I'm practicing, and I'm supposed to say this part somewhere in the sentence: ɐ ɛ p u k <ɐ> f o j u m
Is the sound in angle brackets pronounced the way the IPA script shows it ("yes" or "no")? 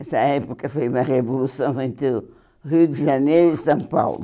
yes